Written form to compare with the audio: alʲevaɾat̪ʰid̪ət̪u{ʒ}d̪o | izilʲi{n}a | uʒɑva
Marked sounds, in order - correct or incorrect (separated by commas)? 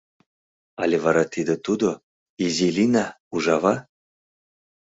incorrect, correct